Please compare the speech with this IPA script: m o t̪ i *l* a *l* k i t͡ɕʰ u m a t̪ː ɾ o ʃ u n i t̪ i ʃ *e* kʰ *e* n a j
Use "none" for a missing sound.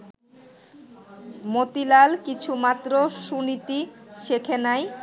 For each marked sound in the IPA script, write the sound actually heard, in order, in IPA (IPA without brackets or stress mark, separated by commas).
l, l, e, e